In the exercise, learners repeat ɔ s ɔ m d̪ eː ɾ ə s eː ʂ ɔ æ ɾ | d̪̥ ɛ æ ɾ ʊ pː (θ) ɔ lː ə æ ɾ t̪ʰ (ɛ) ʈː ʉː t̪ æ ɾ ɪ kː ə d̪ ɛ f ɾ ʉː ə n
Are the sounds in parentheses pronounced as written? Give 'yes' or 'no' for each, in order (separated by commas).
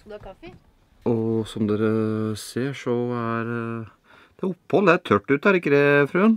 no, no